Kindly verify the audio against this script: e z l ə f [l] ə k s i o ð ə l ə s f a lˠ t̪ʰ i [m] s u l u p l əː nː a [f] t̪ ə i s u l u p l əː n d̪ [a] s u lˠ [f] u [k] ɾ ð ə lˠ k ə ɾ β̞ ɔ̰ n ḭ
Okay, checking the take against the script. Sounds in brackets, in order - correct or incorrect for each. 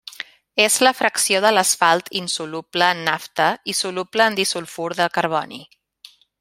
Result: incorrect: ɾ, incorrect: n, correct, incorrect: i, correct, incorrect: none

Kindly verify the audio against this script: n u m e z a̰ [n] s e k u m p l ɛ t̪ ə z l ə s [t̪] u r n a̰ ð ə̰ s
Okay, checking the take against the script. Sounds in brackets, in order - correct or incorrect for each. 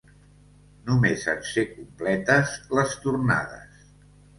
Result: correct, correct

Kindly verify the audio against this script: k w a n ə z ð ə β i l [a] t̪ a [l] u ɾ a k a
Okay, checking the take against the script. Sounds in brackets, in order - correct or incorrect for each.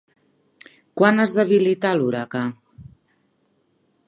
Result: incorrect: i, correct

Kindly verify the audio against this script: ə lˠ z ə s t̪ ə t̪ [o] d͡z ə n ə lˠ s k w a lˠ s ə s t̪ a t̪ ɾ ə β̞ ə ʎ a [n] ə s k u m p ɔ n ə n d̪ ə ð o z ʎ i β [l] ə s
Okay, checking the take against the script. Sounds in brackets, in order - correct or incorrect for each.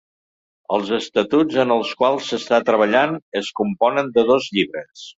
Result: incorrect: u, correct, incorrect: ɾ

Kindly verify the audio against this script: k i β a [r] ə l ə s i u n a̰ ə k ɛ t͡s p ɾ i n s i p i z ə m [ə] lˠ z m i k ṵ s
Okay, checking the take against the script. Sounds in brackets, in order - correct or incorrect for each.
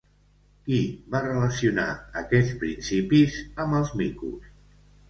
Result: correct, correct

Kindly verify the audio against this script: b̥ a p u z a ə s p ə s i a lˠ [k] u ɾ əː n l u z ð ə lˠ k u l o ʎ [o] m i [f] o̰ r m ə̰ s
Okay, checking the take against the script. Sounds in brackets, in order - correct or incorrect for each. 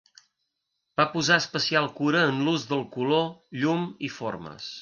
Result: correct, incorrect: u, correct

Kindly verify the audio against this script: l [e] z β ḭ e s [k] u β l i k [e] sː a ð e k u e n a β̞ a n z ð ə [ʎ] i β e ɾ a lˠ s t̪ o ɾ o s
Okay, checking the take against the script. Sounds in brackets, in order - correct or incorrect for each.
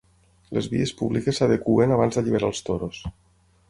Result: correct, incorrect: p, correct, correct

